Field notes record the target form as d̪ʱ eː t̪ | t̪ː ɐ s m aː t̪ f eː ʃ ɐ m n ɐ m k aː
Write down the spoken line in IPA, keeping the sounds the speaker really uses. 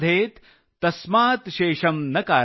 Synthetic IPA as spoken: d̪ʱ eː t̪ | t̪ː ɐ s m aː t̪ ʃ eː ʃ ɐ m n ɐ k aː